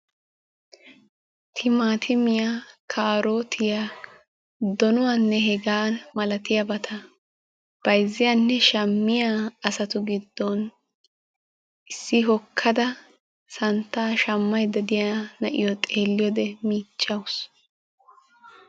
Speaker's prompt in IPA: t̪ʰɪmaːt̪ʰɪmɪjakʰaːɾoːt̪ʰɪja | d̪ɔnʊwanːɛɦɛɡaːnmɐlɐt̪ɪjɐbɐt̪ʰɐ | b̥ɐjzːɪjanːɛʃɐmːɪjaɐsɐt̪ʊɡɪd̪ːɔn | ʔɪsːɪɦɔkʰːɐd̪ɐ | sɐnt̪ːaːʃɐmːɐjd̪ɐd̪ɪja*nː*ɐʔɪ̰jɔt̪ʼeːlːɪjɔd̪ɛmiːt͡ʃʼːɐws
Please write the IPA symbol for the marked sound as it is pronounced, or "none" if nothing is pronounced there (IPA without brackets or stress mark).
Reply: n